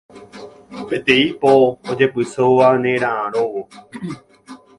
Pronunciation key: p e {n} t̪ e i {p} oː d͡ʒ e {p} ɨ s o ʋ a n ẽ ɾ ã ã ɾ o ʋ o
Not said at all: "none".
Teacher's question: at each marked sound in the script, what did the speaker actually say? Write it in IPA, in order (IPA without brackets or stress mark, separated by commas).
none, p, p